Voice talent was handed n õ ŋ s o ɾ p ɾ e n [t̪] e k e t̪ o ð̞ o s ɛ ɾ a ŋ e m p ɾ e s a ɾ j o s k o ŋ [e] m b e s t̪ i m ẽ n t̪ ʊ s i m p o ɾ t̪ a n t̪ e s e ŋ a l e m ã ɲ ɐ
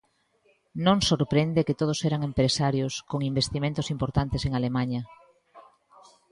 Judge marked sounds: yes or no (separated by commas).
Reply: no, no